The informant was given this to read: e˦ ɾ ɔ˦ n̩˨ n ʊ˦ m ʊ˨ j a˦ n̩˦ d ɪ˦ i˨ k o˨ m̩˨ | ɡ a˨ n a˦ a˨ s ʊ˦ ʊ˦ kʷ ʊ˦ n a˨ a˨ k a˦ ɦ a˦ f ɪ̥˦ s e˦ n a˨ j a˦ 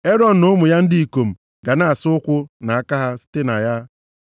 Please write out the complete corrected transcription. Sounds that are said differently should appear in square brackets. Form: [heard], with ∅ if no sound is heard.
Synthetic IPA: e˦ ɾ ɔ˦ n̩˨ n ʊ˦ m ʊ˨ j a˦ n̩˦ d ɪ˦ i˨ k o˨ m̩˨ | ɡ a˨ n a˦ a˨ s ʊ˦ ʊ˦ kʷ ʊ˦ n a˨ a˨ k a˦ ɦ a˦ [s] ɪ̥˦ [t] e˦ n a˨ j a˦